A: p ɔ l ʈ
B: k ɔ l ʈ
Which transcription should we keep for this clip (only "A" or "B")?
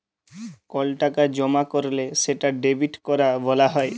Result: B